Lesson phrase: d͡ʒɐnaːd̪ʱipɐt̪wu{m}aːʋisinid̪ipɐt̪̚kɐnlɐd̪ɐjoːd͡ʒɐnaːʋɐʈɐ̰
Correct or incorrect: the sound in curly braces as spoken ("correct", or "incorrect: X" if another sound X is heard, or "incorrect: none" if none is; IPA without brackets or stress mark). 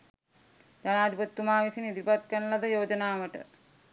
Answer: correct